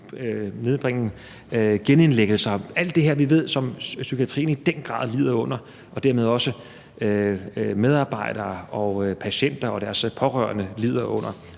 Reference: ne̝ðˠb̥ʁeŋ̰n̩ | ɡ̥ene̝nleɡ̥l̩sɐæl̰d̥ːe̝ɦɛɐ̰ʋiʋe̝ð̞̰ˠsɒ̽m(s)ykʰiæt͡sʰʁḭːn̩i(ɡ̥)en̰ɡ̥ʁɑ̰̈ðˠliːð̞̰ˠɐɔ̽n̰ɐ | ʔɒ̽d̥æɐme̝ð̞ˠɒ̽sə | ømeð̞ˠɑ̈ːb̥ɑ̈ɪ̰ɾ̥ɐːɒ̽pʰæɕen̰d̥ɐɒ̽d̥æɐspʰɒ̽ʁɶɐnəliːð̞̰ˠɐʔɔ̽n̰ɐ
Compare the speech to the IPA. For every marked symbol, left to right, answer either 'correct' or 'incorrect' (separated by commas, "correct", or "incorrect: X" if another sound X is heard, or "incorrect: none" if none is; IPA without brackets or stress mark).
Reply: correct, incorrect: d̥